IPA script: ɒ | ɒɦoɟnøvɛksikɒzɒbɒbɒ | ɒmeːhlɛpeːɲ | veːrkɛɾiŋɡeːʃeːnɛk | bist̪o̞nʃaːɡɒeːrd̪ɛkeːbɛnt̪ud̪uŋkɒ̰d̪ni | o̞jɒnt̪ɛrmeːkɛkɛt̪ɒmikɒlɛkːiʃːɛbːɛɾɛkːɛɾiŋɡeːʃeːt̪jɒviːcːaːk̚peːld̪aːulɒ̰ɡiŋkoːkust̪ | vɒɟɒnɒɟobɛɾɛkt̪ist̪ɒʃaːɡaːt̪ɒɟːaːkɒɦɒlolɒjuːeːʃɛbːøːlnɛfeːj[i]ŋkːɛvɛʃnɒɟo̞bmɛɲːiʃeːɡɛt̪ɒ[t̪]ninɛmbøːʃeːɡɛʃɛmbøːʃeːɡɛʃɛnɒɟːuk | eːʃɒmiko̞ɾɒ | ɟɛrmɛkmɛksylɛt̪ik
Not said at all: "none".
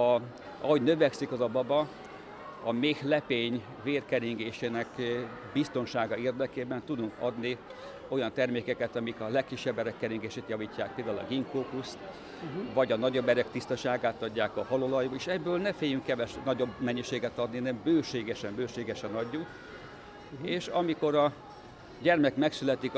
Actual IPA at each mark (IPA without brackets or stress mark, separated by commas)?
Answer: y, d̪